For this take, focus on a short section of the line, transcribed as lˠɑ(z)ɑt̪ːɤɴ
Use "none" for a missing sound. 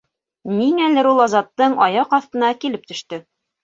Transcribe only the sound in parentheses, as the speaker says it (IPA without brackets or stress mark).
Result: z